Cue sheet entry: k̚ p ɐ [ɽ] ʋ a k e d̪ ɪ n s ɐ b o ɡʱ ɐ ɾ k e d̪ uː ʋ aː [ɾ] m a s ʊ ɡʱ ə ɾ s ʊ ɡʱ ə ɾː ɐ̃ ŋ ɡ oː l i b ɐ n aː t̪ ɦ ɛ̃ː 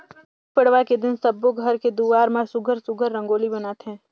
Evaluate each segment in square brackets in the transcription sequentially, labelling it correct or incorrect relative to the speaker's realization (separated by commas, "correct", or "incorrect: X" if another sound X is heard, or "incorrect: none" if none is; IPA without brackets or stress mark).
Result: correct, correct